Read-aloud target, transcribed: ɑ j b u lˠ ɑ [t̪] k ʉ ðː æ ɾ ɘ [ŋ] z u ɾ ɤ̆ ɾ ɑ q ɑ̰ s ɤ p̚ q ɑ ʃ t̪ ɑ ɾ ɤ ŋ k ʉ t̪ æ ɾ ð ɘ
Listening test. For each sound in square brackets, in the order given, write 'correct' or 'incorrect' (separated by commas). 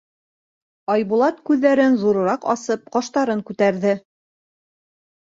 correct, incorrect